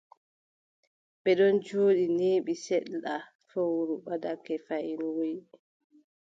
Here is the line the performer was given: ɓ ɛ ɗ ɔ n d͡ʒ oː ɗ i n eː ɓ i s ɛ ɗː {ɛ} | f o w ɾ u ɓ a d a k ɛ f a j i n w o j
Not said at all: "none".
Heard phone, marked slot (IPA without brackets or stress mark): a